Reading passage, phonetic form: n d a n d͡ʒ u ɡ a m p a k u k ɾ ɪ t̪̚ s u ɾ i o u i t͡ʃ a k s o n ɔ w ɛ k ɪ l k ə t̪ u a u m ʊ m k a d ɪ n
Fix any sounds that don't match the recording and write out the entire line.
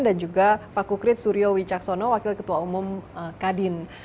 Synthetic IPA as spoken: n d a n d͡ʒ u ɡ a p a k u k ɾ ɪ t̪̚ s u ɾ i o w i t͡ʃ a k s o n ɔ w a k ɪ l k ə t̪ u a u m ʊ m k a d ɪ n